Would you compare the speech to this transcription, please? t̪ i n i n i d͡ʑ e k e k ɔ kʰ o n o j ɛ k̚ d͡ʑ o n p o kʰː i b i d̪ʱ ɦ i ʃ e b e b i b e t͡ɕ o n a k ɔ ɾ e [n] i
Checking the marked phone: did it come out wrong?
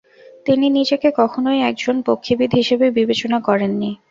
yes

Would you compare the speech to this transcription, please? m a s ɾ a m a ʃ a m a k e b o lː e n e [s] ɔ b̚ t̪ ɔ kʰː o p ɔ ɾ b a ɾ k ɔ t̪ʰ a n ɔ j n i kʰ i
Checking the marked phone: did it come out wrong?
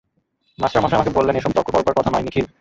yes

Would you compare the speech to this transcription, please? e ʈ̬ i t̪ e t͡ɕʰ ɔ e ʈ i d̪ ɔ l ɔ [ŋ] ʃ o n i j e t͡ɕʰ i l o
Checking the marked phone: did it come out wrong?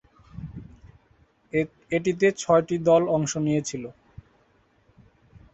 no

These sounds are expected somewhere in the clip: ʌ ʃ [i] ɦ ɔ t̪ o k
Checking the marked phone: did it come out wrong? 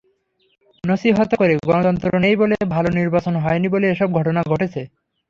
no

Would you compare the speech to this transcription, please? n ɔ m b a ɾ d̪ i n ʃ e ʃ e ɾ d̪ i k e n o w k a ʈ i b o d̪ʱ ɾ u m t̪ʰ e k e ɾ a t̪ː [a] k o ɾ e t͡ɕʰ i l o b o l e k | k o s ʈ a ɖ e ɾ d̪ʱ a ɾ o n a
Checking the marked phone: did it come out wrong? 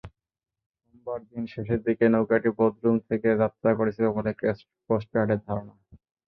no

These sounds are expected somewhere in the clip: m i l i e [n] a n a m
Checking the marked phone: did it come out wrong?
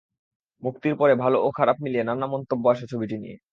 no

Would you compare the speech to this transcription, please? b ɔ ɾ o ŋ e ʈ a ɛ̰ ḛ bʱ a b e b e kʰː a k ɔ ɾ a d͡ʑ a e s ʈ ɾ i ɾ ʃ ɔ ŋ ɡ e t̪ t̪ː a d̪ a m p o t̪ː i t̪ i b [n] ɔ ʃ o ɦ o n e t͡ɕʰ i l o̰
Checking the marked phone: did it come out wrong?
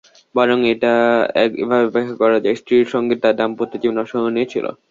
no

